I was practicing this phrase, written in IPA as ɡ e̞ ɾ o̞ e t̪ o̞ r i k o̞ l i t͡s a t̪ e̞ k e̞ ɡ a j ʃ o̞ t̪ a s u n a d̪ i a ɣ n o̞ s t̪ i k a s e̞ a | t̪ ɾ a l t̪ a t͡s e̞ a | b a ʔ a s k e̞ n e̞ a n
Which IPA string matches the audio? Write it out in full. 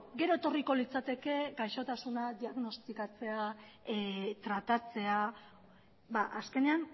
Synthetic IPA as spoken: ɡ e̞ ɾ o̞ e t̪ o̞ r i k o̞ l i t͡s a t̪ e̞ k e̞ ɡ a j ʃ o̞ t̪ a s u n a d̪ i a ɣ n o̞ s t̪ i k a t͡s e̞ a | t̪ ɾ a t̪ a t͡s e̞ a | b a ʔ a s k e̞ n e̞ a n